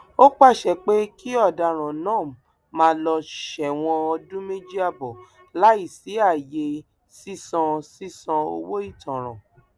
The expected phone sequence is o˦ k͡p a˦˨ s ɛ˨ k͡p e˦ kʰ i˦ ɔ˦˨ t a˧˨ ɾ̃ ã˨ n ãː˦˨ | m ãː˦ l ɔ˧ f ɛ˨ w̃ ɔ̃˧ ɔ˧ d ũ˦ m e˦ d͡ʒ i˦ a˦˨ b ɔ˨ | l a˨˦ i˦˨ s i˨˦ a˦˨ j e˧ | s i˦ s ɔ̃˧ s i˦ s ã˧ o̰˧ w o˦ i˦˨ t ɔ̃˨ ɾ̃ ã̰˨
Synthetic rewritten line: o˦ k͡p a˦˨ ʃ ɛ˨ k͡p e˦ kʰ i˦ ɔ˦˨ d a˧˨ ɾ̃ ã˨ n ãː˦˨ | m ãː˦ l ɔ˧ ʃ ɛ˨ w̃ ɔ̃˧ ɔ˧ d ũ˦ m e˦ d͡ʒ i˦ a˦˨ b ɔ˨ | l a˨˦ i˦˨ s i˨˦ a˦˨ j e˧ | s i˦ s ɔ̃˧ s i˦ s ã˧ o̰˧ w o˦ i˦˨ t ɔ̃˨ ɾ̃ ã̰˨